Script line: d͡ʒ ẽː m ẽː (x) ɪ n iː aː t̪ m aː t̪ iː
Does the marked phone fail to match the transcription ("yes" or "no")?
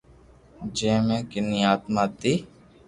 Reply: yes